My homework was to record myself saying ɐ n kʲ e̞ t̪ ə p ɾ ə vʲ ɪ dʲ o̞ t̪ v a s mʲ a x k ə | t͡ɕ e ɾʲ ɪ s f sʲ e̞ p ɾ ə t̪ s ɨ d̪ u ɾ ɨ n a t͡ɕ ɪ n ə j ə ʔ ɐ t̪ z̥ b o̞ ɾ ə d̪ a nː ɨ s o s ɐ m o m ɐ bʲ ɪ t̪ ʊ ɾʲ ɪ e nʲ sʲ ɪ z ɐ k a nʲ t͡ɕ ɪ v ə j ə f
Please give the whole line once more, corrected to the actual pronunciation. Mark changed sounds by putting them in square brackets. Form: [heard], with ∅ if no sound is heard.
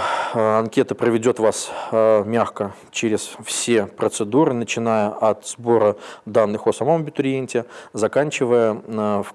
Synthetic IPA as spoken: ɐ n kʲ e̞ t̪ ə p ɾ ə vʲ ɪ dʲ o̞ t̪ v a s mʲ a x k ə | t͡ɕ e ɾʲ ɪ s f sʲ e̞ p ɾ ə t̪ s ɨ d̪ u ɾ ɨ n [ə] t͡ɕ ɪ n [a] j ə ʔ ɐ t̪ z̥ b o̞ ɾ ə d̪ a nː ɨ [x] o s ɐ m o m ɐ bʲ ɪ t̪ ʊ ɾʲ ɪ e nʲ [tʲ] ɪ z ɐ k a nʲ t͡ɕ ɪ v ə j ə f